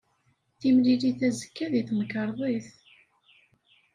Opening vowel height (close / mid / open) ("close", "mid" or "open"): close